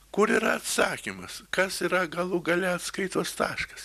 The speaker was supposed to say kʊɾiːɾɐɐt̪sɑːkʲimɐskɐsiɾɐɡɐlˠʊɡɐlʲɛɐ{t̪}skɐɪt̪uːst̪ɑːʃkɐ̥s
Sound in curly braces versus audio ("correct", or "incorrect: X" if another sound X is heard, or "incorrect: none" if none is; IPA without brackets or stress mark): correct